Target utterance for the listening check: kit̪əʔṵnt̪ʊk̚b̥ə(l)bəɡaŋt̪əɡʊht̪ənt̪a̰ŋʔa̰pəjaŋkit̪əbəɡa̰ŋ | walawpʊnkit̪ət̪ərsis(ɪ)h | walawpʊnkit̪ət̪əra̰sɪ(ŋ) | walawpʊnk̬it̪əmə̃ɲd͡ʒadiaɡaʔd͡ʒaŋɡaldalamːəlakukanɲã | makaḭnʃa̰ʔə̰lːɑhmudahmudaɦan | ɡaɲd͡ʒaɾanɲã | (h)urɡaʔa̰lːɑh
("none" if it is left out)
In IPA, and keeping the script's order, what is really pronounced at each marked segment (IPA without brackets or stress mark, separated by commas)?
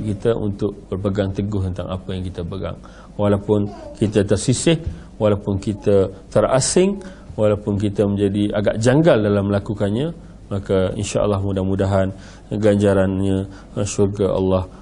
r, ɪ, ŋ, ʃ